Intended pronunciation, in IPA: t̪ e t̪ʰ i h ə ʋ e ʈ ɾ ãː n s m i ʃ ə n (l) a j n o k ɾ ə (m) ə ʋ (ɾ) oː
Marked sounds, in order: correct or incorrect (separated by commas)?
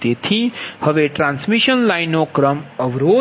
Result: correct, correct, correct